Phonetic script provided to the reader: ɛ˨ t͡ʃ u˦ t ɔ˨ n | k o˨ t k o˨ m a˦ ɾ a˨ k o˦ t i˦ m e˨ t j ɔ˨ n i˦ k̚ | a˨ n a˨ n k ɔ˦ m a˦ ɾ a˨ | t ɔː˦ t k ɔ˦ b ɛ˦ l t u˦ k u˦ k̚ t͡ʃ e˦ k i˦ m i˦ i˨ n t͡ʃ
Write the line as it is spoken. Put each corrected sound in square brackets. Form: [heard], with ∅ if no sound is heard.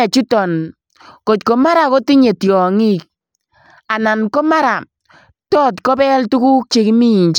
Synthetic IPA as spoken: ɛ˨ t͡ʃ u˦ t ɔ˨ n | k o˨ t k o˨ m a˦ ɾ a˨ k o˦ t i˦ [ɲ] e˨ t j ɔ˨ [ŋ] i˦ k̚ | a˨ n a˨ n k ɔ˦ m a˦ ɾ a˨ | t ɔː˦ t k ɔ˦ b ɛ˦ l t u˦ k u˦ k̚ t͡ʃ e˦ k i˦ m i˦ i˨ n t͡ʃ